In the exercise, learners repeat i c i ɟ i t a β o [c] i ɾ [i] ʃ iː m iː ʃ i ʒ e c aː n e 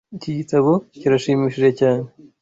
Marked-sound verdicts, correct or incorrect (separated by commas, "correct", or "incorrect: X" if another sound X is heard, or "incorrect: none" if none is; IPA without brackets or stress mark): correct, incorrect: a